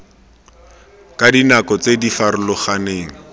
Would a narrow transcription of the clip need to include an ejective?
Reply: no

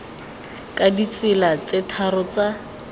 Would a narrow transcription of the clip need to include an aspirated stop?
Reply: yes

